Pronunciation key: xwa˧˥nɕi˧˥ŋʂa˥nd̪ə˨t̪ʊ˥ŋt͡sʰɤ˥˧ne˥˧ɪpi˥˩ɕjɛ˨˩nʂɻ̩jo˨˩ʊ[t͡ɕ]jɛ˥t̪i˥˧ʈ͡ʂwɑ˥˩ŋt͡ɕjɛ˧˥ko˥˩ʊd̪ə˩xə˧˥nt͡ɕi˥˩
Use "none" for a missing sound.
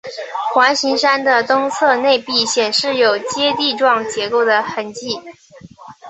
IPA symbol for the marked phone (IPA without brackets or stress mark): t͡ɕ